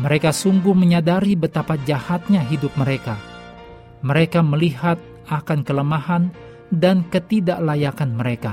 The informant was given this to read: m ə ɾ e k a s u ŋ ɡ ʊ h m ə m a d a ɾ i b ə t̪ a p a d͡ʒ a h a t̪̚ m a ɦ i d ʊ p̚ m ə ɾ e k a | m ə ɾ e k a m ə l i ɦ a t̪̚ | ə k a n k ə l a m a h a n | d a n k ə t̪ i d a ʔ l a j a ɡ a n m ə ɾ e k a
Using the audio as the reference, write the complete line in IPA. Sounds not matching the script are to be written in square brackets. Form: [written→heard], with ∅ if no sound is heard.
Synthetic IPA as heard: m ə ɾ e k a s u ŋ ɡ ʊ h m ə [m→ɲ] a d a ɾ i b ə t̪ a p a d͡ʒ a h a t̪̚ [m→ɲ] a ɦ i d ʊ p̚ m ə ɾ e k a | m ə ɾ e k a m ə l i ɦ a t̪̚ | [ə→a] k a n k ə l [a→ə] m a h a n | d a n k ə t̪ i d a ʔ l a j a [ɡ→k] a n m ə ɾ e k a